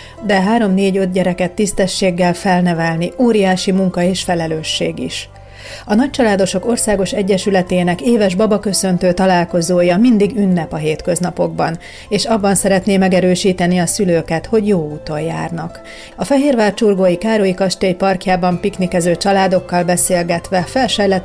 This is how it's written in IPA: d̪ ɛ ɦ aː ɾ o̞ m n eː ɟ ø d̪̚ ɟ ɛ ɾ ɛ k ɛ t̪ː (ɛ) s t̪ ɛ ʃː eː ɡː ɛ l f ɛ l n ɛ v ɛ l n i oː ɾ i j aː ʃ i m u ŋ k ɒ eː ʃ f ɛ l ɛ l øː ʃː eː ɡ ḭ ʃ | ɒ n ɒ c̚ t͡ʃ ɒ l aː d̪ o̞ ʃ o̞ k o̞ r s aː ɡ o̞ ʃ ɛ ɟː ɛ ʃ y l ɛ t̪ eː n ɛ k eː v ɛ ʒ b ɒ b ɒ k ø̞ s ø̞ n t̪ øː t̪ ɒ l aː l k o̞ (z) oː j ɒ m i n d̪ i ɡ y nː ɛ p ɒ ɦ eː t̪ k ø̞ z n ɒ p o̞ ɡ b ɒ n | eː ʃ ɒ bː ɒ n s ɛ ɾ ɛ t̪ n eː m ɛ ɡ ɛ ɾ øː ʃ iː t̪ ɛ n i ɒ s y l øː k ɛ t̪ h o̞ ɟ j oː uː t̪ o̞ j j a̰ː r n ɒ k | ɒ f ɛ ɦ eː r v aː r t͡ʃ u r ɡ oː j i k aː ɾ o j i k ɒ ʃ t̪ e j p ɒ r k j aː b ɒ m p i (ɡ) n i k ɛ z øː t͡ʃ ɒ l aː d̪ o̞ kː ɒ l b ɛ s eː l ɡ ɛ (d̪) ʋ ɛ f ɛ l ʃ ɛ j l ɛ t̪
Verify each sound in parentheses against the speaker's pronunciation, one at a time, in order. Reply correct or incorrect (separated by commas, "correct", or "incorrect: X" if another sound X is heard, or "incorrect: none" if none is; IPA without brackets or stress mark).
incorrect: i, correct, incorrect: k, incorrect: t̪